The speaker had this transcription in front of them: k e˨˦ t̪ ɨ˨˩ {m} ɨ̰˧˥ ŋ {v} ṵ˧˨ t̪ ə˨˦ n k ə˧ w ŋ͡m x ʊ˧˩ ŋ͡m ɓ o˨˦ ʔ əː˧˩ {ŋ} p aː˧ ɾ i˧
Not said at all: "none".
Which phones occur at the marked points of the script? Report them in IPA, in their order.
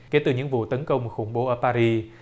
ɲ, v, none

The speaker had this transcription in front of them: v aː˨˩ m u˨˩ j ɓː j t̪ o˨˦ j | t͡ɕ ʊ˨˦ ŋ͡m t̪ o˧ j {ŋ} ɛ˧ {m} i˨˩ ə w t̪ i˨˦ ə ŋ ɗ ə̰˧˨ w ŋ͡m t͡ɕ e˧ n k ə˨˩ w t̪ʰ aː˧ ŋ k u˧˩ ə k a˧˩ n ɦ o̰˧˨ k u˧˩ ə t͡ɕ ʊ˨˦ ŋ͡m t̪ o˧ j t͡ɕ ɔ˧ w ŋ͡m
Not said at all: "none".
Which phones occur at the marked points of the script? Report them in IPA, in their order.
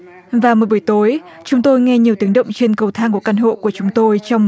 ŋ, ɲ

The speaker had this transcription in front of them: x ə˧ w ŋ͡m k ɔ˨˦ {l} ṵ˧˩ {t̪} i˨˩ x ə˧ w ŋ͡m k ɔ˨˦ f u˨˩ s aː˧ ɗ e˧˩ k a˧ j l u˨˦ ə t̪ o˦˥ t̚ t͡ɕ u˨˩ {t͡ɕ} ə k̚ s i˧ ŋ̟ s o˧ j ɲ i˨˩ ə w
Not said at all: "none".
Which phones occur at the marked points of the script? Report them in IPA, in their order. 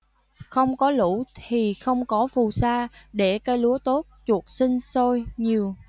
l, t̪ʰ, none

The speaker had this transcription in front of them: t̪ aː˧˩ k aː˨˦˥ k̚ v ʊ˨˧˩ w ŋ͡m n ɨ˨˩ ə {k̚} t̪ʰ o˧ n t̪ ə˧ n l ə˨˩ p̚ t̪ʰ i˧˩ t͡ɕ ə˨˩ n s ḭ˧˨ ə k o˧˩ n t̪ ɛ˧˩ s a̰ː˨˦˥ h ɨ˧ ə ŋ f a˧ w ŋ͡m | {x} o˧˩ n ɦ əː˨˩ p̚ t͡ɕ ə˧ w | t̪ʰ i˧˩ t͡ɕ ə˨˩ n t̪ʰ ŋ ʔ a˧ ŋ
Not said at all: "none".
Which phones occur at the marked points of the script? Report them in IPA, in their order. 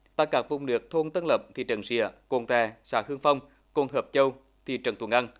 k̚, k

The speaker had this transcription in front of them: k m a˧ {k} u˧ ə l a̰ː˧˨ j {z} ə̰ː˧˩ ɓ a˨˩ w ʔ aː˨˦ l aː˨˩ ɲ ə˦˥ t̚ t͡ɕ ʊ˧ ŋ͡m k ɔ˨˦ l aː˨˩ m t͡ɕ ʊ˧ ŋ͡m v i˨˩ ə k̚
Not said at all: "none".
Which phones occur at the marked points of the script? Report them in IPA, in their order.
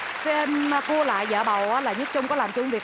k, z

